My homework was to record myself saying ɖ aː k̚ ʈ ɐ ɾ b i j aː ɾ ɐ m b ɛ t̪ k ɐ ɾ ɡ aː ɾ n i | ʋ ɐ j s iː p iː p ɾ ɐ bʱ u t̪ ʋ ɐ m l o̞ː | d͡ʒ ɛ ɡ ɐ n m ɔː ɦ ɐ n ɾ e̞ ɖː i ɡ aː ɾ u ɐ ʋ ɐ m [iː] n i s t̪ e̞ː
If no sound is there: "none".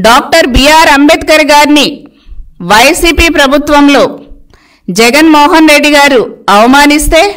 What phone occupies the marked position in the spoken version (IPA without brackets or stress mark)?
aː